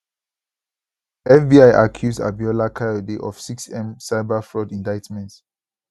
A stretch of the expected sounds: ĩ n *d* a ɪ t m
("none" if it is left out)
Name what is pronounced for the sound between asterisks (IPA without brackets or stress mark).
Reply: d